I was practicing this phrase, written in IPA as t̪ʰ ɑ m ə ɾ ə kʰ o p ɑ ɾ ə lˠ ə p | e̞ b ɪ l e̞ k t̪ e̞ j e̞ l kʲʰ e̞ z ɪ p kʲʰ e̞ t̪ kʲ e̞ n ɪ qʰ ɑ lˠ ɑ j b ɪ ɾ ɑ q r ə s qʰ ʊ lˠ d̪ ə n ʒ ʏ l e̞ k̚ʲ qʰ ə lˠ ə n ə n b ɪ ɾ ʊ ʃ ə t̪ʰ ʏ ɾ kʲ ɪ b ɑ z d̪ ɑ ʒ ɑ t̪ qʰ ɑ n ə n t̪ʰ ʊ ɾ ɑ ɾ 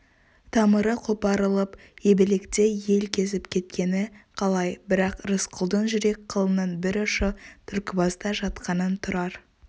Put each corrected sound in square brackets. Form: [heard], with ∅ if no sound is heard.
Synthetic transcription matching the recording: t̪ʰ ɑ m ə ɾ ə [qʰ] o p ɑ ɾ ə lˠ ə p | e̞ b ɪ l e̞ k t̪ e̞ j e̞ l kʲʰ e̞ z ɪ p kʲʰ e̞ t̪ kʲ e̞ n ɪ qʰ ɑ lˠ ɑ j b ɪ ɾ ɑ q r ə s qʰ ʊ lˠ d̪ ə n ʒ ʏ [ɾ] e̞ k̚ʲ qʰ ə lˠ ə n ə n b ɪ ɾ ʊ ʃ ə t̪ʰ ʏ ɾ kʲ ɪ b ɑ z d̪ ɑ ʒ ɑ t̪ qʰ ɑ n ə n t̪ʰ ʊ ɾ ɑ ɾ